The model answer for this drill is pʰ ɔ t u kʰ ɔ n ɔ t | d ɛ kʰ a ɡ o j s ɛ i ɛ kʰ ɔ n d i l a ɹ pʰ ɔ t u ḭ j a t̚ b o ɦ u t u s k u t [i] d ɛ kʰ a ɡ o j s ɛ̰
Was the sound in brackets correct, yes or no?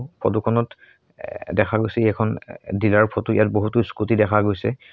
yes